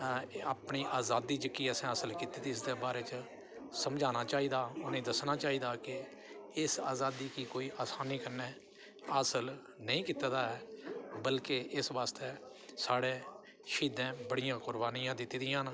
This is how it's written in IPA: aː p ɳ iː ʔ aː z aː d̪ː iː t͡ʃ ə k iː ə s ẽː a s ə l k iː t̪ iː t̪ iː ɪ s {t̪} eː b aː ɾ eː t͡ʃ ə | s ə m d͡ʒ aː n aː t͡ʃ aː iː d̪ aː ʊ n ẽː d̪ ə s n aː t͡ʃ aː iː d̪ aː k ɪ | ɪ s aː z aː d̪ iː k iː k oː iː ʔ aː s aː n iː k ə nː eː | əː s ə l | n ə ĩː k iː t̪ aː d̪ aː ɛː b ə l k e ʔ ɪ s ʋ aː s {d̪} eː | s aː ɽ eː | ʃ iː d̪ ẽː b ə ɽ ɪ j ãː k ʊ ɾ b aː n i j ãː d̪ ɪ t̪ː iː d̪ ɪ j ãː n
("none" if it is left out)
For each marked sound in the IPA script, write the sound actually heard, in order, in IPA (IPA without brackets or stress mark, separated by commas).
d̪, t̪